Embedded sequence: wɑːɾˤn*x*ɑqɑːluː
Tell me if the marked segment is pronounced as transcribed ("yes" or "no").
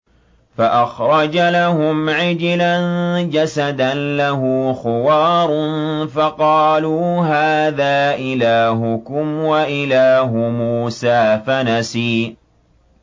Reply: no